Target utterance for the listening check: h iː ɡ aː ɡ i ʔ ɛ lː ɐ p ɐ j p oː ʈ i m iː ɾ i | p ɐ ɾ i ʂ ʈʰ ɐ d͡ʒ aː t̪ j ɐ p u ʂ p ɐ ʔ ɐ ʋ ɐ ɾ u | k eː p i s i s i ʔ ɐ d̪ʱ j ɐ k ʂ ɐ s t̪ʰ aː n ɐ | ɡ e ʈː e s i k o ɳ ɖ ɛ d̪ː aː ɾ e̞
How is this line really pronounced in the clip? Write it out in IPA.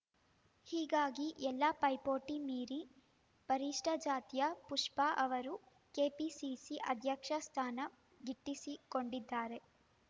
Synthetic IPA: h iː ɡ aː ɡ i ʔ ɛ lː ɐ p ɐ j p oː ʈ i m iː ɾ i | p ɐ ɾ i ʂ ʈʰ ɐ d͡ʒ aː t̪ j ɐ p u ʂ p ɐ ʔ ɐ ʋ ɐ ɾ u | k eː p i s i s i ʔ ɐ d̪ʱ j ɐ k ʂ ɐ s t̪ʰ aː n ɐ | ɡ i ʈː i s i k o ɳ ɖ i d̪ː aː ɾ e̞